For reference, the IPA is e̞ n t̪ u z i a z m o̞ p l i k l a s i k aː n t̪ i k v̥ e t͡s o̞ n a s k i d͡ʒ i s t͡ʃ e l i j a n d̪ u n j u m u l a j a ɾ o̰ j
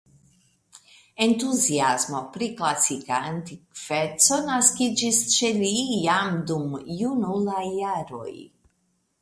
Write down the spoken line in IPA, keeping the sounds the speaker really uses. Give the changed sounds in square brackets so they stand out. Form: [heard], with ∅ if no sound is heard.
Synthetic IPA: e̞ n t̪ u z i a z m o̞ p [ɾ] i k l a s i k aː n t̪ i k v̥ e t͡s o̞ n a s k i d͡ʒ i s t͡ʃ e l i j a [m] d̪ u [m] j u [n] u l a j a ɾ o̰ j